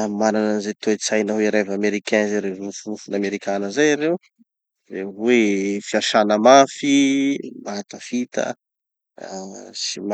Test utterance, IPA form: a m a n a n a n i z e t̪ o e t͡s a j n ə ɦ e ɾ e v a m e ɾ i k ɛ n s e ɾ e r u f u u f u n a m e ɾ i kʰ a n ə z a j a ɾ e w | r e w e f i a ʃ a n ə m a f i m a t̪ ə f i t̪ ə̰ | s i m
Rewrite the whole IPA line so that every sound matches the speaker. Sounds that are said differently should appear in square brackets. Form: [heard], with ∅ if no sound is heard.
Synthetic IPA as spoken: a m a n a n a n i z e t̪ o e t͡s a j n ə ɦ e ɾ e v a m e ɾ i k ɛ n [z] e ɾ e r u f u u f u n a m e ɾ i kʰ a n ə z a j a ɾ e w | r e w e f i a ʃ a n ə m a f i m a t̪ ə f i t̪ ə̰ | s i m